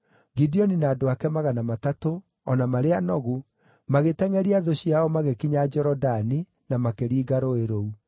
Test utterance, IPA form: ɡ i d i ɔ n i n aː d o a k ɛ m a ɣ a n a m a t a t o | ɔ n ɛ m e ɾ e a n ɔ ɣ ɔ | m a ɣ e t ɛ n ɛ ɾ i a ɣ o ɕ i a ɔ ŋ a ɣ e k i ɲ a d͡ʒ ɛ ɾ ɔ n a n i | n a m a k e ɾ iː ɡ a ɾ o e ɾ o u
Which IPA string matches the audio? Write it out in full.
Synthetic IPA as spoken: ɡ i d i ɔ n i n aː d o a k ɛ m a ɣ a n a m a t a t o | ɔ n a m a ɾ e a n ɔ ɣ u | m a ɣ e t ɛ ŋ ɛ ɾ i a ð o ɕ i a ɔ m a ɣ e k i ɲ a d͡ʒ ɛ ɾ ɔ d a n i | n a m a k e ɾ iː ɡ a ɾ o e ɾ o u